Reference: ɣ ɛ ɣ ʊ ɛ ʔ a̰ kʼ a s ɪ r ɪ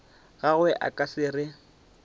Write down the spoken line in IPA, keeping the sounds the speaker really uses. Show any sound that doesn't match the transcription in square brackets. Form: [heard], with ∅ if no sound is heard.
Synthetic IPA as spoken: ɣ [a] ɣ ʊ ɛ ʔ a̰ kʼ a s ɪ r ɪ